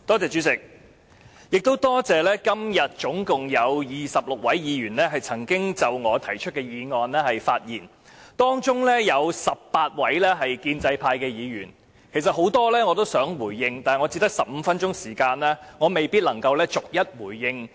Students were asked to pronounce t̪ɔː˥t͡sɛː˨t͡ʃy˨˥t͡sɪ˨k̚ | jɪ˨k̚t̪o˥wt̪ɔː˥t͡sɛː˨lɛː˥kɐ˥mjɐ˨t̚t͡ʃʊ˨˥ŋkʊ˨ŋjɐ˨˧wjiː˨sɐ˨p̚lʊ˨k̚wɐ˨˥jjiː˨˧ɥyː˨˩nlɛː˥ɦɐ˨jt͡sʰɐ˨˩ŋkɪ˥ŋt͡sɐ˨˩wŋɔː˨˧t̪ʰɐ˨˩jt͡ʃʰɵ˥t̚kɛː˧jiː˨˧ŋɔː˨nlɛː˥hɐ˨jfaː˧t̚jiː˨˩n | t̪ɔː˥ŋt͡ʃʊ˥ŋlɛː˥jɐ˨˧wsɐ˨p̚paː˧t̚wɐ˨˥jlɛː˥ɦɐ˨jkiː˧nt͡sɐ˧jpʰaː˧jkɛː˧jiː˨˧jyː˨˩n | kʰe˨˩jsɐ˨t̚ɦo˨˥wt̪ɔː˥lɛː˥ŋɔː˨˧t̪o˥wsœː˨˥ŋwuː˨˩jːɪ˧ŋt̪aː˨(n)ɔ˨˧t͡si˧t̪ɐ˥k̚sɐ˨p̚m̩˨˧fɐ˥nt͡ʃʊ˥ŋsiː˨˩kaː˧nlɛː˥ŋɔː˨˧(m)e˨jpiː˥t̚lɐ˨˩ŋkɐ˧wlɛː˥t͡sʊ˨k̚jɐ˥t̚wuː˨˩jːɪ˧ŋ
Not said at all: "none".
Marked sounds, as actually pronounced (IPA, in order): ŋ, m

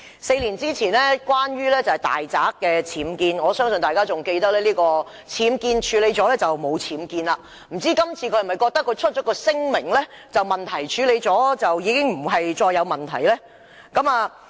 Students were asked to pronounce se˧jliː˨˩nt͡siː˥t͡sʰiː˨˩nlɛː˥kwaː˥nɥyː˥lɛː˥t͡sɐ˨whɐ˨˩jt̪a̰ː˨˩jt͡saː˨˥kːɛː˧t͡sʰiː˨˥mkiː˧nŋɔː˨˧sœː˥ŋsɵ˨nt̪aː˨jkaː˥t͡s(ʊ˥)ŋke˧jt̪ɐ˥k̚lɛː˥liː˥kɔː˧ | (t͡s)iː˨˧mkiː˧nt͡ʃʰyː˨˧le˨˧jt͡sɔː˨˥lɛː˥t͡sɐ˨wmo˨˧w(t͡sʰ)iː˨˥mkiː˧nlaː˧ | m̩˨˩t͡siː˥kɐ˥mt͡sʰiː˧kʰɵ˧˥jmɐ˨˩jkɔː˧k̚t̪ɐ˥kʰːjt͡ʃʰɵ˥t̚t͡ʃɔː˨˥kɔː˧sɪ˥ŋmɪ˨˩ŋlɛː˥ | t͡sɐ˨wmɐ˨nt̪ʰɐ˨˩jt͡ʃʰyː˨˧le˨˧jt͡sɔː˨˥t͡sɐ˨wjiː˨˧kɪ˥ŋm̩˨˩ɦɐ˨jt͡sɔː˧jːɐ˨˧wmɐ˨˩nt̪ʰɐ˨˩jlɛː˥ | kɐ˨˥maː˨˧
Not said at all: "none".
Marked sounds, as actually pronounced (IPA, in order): ʊ˨, t͡sʰ, t͡sʰ

